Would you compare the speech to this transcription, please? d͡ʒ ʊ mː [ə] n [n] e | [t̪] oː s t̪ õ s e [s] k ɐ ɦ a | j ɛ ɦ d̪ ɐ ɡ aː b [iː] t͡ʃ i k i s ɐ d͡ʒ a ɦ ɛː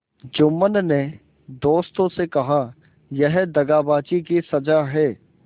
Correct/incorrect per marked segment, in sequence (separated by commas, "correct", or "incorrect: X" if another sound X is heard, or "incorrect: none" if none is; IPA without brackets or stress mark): correct, correct, incorrect: d̪, incorrect: none, incorrect: aː